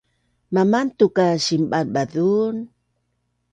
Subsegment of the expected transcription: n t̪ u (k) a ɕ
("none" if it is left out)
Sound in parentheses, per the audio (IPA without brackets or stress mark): k